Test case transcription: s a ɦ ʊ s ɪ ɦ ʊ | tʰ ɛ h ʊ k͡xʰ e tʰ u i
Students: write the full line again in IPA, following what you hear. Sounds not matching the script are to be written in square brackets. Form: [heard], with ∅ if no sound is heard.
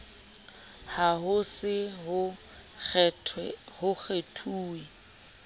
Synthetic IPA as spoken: [h] a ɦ ʊ s ɪ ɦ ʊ | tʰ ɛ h ʊ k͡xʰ e tʰ [uː] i